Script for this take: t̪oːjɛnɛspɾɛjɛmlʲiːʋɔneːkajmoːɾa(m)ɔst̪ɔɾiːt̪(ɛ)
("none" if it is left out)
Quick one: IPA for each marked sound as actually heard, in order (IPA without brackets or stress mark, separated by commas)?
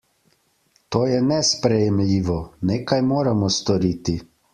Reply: m, i